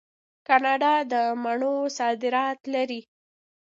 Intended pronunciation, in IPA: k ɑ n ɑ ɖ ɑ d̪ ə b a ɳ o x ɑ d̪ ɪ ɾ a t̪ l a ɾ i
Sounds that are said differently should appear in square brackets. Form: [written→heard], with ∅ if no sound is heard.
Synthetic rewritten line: k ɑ n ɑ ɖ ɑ d̪ ə [b→m] a ɳ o [x→s] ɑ d̪ ɪ ɾ [a→ɑ] t̪ l a ɾ i